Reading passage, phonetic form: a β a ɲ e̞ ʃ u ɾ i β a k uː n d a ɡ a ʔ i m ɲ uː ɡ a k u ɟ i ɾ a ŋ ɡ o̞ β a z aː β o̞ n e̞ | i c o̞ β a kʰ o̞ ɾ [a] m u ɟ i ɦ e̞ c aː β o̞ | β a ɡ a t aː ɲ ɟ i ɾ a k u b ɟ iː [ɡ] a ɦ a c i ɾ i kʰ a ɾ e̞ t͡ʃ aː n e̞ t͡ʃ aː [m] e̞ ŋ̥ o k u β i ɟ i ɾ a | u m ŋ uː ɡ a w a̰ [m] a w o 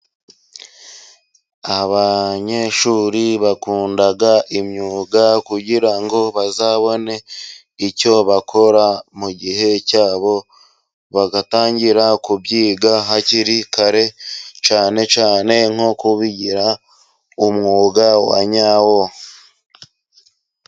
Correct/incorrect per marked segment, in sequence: correct, correct, incorrect, incorrect

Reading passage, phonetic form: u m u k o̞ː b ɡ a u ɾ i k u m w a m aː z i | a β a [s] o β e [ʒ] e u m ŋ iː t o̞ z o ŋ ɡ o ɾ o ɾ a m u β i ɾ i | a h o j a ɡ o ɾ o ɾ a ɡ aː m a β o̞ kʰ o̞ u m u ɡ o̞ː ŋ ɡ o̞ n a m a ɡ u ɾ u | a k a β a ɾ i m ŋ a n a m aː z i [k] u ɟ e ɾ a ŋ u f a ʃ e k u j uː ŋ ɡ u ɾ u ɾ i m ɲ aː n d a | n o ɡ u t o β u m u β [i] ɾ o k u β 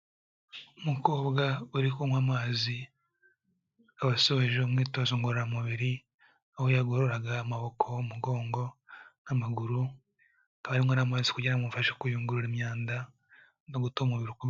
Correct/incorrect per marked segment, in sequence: correct, correct, correct, correct

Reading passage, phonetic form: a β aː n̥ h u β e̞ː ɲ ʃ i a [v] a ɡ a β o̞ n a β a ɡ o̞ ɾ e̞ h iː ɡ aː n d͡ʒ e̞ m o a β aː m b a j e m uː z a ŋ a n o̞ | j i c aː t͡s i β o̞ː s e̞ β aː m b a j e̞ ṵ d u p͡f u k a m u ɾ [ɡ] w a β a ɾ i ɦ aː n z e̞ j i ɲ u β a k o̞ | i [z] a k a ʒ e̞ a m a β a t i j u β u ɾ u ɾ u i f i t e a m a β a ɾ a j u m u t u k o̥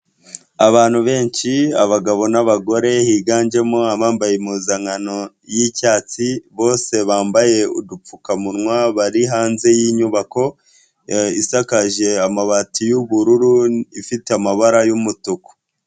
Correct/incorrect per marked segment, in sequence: incorrect, incorrect, incorrect

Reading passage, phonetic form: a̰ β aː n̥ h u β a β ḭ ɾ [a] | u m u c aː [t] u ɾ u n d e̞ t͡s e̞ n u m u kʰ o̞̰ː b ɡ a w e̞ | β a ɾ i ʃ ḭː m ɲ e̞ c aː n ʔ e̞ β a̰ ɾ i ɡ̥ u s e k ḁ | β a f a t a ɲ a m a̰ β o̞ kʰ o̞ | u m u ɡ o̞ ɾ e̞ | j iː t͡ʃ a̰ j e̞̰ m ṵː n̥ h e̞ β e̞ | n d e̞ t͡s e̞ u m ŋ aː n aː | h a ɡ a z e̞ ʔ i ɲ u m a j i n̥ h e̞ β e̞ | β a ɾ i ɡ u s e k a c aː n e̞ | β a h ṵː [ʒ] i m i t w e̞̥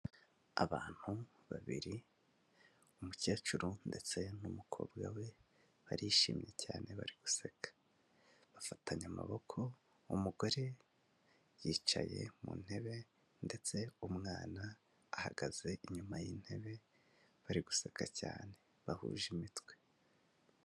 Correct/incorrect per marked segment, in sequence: incorrect, incorrect, correct

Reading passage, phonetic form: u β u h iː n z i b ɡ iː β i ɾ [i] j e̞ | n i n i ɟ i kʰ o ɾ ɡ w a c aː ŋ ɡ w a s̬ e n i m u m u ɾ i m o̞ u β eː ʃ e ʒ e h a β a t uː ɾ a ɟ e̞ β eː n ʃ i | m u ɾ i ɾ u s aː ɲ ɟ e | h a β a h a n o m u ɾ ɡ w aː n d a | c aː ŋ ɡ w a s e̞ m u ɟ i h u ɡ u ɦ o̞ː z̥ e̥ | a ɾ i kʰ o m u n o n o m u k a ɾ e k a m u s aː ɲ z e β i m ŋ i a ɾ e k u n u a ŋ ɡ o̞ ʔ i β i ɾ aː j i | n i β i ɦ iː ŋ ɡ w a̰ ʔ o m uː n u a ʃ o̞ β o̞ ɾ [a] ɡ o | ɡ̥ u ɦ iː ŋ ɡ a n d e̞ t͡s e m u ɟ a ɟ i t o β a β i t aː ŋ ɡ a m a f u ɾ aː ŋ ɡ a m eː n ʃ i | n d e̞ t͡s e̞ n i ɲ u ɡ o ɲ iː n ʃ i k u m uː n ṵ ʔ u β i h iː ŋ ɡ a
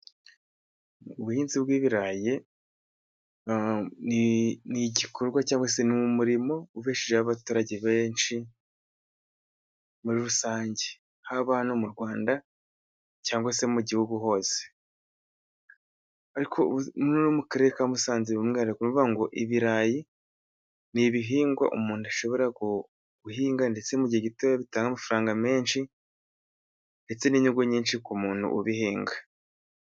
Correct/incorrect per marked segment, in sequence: incorrect, correct

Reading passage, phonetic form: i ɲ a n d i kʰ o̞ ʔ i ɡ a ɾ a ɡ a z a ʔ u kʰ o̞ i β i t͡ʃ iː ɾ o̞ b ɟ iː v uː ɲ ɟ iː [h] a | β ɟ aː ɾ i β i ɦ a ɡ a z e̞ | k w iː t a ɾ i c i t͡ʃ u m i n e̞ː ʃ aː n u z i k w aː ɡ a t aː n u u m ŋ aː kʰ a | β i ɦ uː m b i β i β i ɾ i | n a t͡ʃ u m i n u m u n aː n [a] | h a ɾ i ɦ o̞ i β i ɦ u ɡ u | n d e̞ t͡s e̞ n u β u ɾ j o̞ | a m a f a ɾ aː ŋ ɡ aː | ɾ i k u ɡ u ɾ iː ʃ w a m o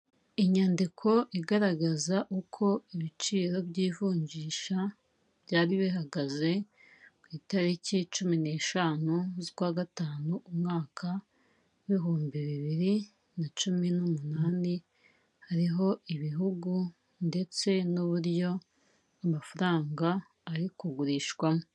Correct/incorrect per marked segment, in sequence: incorrect, incorrect

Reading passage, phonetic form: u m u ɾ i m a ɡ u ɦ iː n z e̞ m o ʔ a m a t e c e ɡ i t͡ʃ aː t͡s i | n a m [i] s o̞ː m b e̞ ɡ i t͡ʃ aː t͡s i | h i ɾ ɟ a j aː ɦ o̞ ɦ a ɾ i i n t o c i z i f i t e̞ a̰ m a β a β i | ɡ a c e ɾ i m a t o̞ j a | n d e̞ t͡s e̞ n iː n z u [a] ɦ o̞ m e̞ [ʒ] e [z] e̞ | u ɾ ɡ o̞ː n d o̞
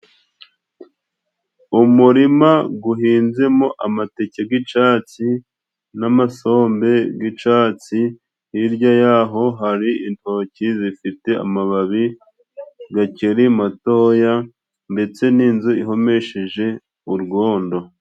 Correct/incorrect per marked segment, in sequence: incorrect, incorrect, incorrect, incorrect

